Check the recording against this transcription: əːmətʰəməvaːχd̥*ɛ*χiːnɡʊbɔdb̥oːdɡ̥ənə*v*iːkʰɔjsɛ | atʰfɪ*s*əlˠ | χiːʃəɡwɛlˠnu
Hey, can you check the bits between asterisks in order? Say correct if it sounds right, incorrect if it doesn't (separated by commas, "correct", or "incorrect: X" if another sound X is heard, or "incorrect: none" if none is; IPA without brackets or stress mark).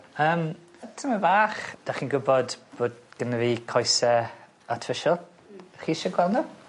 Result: incorrect: a, correct, incorrect: ʃ